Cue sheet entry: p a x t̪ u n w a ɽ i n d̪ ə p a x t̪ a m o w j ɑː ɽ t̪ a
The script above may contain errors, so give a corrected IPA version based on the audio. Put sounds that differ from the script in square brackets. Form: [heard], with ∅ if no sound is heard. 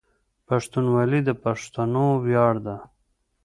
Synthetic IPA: p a [ʂ] t̪ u n w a [l] i [∅] d̪ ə p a [ʂ] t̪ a [n] o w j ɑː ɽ [d̪] a